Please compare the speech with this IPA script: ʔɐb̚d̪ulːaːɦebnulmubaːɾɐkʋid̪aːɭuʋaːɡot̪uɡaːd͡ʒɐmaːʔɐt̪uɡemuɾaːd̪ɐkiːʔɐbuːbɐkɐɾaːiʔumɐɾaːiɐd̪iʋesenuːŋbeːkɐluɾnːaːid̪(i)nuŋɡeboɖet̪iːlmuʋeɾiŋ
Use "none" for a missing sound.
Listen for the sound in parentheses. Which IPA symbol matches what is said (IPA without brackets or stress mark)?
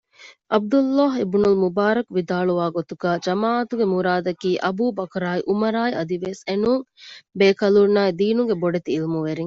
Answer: iː